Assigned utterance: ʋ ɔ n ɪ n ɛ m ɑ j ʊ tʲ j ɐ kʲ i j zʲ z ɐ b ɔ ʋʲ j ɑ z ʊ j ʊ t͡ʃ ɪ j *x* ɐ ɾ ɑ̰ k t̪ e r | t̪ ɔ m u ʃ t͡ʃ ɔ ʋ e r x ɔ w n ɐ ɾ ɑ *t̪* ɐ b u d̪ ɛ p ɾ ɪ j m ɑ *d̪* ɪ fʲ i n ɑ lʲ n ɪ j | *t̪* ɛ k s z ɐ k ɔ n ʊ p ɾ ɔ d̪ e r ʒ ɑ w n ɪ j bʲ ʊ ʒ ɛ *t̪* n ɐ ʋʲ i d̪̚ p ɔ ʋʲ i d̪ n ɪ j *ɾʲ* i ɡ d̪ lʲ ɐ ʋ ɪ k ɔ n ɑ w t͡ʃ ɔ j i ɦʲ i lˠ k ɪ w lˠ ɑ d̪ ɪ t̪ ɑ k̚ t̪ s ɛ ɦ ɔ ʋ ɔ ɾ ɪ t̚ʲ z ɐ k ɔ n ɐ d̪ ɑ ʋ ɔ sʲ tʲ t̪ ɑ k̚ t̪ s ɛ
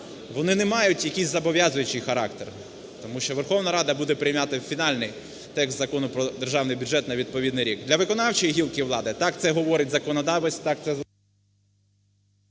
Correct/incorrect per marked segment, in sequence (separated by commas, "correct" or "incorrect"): correct, incorrect, incorrect, correct, correct, correct